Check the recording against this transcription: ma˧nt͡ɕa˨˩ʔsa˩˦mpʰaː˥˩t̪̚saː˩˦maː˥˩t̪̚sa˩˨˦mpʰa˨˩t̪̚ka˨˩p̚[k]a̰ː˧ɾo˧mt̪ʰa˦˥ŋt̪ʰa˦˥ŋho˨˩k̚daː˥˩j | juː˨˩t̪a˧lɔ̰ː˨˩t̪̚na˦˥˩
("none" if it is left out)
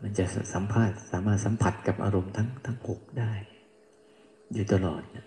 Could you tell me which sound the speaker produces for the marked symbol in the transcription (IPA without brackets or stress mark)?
ʔ